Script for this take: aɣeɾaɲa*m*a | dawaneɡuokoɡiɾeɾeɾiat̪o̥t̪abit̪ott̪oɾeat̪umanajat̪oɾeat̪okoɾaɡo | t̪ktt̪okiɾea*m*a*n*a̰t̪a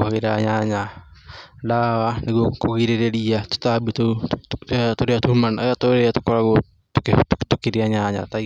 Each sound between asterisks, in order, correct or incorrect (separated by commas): incorrect, incorrect, incorrect